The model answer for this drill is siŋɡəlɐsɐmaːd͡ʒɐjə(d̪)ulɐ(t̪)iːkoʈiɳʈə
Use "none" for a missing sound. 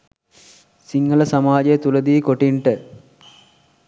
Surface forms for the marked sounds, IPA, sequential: t̪, d̪

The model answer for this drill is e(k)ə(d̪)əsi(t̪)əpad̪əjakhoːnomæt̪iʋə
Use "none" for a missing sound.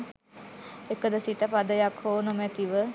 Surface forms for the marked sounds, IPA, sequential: k, d̪, t̪

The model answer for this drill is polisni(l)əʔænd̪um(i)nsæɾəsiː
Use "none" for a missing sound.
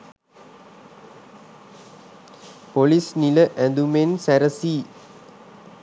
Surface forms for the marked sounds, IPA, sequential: l, e

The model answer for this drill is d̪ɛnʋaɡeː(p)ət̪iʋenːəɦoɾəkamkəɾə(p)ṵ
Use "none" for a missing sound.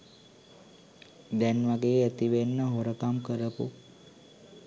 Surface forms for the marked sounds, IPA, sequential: none, p

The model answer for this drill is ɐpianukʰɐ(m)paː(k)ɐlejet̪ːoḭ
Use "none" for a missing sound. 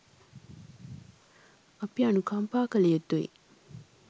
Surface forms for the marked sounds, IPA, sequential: m, k

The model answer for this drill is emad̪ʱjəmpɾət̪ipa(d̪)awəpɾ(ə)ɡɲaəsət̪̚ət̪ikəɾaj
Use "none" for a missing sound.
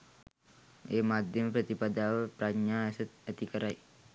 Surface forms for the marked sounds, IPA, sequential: d̪, a

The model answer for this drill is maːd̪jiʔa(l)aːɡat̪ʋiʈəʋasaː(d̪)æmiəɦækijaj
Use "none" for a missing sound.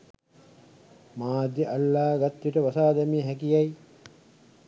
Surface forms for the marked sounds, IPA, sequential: lː, d̪

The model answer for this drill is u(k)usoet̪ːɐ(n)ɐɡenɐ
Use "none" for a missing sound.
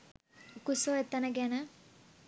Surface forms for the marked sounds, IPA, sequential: k, n

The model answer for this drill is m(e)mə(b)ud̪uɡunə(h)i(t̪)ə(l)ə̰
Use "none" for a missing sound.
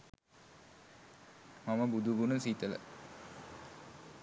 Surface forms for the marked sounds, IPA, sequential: a, b, s, t̪, l

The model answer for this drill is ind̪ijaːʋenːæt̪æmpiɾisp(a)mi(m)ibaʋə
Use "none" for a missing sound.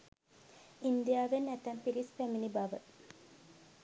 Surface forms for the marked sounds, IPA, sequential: æ, n

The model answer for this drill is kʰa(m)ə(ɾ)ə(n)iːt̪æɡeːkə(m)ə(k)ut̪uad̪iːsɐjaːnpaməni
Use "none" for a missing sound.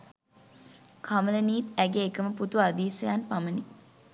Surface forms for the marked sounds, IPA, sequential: m, l, n, m, p

